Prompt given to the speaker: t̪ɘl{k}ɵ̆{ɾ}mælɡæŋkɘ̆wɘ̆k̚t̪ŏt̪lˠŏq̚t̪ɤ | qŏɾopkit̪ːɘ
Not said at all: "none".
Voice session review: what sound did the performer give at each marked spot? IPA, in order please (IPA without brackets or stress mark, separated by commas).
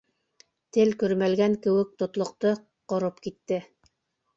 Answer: k, ɾ